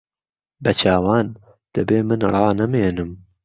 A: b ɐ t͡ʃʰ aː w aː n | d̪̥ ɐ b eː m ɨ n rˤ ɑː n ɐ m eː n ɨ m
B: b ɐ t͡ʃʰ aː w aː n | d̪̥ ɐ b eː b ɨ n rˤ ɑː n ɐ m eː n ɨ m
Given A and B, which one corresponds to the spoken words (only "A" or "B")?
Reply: A